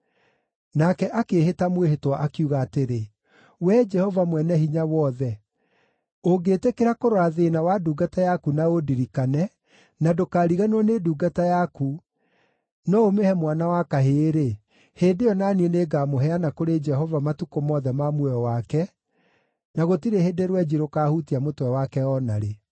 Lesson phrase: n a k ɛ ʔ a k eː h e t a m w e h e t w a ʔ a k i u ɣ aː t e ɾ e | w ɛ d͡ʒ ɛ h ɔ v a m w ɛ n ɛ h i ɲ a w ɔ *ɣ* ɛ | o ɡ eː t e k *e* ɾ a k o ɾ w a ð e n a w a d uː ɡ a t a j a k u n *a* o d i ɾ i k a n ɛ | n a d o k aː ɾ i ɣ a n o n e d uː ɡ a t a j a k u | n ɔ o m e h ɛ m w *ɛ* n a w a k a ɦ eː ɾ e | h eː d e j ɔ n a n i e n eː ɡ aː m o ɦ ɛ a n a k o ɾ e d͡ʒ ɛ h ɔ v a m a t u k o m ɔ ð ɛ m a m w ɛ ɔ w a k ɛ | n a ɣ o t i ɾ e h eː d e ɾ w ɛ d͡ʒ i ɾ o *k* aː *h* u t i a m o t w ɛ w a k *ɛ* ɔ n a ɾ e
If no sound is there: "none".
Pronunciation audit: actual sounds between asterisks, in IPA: ð, e, a, a, k, h, ɛ

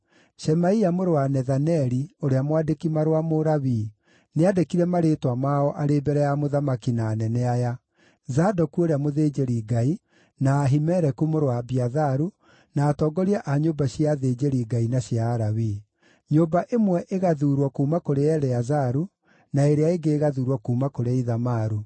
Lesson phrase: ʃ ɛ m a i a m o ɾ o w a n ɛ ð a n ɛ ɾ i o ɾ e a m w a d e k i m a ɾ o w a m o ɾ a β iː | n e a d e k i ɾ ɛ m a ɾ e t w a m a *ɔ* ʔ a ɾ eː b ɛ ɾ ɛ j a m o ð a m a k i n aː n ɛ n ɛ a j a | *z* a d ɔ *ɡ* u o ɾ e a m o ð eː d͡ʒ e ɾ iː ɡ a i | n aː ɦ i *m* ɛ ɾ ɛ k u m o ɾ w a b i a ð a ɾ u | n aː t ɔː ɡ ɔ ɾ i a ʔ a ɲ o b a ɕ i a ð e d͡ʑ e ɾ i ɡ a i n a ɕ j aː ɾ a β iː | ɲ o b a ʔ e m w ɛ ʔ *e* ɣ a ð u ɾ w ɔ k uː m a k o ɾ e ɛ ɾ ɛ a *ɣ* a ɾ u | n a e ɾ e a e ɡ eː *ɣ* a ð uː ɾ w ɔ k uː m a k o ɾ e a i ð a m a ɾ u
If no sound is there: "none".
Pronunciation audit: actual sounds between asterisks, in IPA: ɔ, z, k, m, e, z, ɣ

